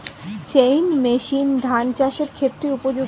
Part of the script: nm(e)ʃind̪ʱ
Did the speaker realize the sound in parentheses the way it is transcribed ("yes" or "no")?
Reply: yes